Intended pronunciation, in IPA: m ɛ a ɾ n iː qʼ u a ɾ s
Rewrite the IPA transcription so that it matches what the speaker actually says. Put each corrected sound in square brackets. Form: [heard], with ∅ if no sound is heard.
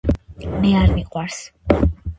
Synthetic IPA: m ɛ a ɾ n [i] qʼ [w] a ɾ s